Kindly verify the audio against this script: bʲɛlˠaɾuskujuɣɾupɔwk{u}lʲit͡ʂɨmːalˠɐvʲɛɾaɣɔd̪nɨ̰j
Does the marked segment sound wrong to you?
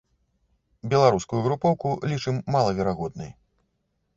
no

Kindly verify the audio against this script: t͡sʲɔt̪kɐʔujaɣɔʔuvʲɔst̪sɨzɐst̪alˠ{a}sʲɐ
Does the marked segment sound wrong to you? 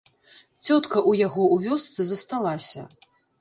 no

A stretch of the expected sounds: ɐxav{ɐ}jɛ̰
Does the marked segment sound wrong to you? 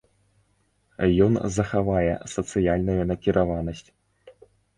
yes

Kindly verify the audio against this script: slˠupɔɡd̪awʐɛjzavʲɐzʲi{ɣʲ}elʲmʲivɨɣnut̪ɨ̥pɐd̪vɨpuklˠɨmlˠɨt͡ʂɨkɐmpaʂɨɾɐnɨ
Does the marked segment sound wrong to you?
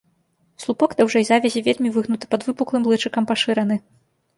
yes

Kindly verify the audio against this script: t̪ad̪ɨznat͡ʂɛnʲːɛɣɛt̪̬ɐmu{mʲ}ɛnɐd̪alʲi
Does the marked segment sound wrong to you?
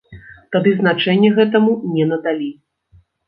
yes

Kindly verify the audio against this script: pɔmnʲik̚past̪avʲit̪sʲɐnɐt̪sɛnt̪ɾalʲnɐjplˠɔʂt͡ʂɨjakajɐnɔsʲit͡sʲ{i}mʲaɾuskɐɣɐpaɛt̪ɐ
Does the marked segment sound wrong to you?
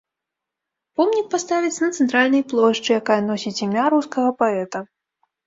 no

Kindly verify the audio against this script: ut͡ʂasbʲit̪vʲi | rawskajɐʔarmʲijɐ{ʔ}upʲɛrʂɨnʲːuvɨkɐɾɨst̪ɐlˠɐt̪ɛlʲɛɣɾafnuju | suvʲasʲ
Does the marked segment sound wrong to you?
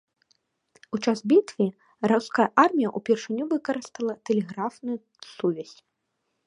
no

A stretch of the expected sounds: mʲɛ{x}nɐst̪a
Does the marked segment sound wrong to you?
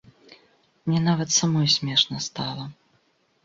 yes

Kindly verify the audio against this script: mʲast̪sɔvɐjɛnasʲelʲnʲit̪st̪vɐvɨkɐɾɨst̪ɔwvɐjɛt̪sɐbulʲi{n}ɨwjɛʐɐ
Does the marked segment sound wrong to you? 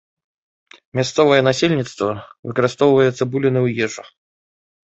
no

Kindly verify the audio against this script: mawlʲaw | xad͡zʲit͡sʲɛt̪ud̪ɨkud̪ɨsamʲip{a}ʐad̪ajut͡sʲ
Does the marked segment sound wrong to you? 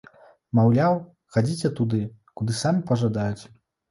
yes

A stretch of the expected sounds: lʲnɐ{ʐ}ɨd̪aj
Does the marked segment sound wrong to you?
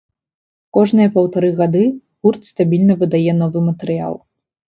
yes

